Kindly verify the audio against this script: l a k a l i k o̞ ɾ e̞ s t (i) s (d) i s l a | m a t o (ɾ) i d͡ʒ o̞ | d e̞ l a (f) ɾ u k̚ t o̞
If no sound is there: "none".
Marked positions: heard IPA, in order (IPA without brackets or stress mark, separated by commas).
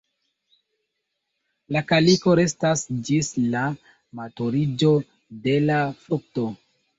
a, d͡ʒ, ɾ, f